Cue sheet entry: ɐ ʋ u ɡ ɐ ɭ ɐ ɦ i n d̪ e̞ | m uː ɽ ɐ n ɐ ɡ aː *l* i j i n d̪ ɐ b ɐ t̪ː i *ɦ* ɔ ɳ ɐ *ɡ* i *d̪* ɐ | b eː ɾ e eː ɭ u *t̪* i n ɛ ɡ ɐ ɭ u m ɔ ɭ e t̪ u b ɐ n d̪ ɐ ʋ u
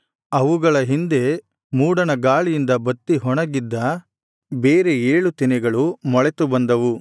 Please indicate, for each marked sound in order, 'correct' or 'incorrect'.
incorrect: ɭ, correct, correct, incorrect: d̪ː, correct

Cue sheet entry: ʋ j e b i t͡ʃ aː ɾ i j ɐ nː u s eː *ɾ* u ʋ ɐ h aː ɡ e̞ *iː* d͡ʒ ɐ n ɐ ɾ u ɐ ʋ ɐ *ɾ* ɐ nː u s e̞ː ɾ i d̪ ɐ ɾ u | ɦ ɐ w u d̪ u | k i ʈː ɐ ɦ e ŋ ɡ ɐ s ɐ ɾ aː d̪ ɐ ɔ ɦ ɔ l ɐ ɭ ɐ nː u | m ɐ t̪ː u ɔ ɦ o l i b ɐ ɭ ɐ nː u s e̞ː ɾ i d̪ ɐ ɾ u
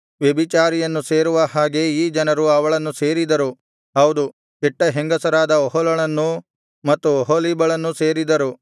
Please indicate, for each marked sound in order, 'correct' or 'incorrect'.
correct, correct, incorrect: ɭ

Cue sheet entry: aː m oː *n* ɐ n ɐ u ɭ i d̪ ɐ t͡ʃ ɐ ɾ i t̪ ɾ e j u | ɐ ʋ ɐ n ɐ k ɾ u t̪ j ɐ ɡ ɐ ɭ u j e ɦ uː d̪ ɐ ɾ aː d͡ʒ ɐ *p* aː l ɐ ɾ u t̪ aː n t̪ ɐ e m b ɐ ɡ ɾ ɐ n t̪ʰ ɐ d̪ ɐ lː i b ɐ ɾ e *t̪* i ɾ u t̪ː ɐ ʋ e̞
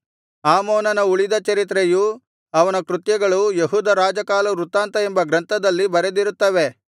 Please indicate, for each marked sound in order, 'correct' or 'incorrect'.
correct, incorrect: k, incorrect: d̪

